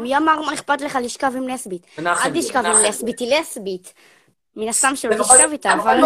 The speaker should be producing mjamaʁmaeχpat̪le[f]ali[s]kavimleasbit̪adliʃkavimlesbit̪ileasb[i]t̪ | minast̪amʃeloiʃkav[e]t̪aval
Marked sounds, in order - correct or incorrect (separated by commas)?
incorrect, incorrect, correct, incorrect